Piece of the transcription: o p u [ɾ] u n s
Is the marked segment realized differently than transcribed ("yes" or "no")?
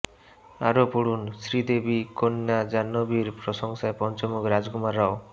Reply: yes